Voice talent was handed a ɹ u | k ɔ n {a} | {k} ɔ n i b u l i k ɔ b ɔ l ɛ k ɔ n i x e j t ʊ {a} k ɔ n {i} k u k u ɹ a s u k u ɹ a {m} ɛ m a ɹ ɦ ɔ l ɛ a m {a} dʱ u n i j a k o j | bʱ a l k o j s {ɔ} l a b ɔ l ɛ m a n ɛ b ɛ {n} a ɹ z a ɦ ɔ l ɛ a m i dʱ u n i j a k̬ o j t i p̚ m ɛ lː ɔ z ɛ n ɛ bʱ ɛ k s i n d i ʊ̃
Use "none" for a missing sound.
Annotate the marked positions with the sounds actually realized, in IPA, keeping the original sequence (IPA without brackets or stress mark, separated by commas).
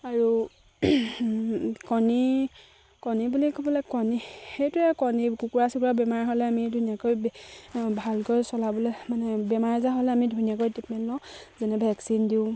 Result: i, k, ɛ, i, b, i, ɔ, m